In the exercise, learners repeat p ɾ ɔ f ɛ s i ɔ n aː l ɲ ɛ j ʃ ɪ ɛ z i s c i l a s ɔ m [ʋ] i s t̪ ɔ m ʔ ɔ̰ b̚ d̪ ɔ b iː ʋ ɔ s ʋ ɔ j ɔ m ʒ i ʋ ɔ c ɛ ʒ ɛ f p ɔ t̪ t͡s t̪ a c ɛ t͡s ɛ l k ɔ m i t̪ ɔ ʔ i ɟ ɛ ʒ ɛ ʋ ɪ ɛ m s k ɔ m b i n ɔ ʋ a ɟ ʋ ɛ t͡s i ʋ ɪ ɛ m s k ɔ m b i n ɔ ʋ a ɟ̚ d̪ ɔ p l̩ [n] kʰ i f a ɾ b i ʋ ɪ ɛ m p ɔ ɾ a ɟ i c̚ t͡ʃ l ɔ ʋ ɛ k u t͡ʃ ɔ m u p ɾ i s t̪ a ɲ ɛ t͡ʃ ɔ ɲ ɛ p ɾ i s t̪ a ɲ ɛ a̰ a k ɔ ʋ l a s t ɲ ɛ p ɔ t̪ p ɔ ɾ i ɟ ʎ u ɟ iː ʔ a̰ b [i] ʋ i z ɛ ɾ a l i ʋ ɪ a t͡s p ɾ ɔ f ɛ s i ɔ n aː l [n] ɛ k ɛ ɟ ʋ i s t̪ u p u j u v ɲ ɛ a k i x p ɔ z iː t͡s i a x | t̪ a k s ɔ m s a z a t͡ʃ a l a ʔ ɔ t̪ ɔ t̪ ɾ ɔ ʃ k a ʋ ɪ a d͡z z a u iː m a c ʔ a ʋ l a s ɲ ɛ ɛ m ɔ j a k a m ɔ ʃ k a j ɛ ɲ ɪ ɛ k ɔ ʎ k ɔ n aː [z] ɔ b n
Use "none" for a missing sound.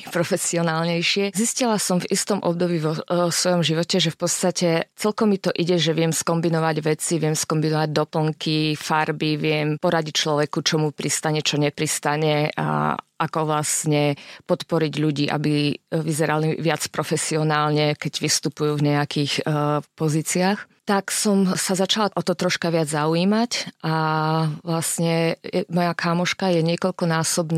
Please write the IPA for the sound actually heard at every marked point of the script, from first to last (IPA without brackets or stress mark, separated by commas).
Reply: v, ŋ, i, ɲ, s